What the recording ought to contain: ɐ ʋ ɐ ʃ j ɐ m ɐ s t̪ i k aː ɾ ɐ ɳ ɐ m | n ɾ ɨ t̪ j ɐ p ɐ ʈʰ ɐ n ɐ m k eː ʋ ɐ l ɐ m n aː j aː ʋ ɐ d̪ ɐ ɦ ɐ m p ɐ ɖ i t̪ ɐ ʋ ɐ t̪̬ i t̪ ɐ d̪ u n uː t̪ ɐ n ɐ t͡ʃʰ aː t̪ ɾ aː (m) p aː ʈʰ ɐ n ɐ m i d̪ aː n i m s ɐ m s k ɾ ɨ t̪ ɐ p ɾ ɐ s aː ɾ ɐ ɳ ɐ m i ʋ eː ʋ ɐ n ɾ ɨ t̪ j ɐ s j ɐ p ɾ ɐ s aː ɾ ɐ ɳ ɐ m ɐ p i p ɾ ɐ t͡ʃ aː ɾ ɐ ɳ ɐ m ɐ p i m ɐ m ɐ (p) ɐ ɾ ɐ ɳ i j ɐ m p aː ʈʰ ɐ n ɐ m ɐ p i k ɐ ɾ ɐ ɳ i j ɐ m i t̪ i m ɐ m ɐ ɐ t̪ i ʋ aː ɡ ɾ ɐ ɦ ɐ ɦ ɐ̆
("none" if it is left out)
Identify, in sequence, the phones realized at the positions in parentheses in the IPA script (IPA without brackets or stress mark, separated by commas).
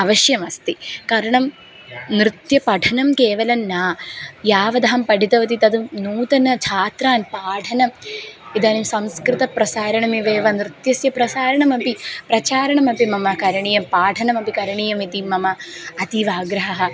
n, k